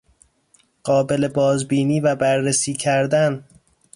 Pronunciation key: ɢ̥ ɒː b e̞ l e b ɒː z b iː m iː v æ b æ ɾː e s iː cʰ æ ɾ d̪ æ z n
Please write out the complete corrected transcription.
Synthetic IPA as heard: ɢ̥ ɒː b e̞ l e b ɒː z b iː n iː v æ b æ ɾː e s iː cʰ æ ɾ d̪ æ n